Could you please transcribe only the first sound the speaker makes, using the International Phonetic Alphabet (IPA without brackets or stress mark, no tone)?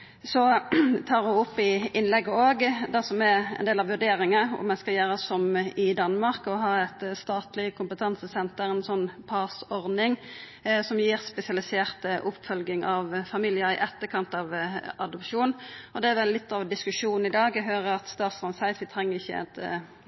s